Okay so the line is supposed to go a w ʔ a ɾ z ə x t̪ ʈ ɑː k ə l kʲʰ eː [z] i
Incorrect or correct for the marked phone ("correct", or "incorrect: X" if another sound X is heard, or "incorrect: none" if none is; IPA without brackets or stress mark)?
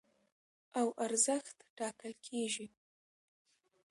incorrect: ʒ